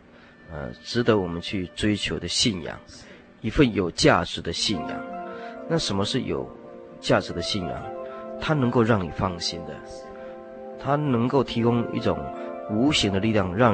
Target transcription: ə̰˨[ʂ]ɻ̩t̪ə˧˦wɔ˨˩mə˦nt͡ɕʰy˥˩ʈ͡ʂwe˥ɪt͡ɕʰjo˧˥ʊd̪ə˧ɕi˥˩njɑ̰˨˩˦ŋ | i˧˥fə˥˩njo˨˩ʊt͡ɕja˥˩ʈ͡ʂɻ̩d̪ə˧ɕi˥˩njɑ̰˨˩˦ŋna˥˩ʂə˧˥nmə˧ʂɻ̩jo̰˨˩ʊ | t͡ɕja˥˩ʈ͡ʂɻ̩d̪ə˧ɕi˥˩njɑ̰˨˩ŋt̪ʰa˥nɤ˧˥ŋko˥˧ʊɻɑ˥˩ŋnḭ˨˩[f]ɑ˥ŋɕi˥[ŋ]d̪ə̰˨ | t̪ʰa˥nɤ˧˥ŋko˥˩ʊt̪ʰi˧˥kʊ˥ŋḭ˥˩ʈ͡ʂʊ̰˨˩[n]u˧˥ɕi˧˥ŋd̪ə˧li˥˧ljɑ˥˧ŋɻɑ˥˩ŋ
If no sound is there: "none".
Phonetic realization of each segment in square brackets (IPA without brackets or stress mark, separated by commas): ʈ͡ʂ, f, n, ŋ